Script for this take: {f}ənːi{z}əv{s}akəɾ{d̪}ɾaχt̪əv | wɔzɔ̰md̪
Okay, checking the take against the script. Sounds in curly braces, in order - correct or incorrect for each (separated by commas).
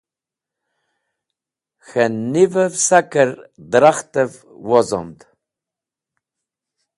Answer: incorrect, incorrect, correct, correct